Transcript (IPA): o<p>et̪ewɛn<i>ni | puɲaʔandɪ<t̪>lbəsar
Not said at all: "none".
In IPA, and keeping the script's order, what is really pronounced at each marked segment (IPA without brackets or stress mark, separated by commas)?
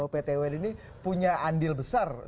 p, i, none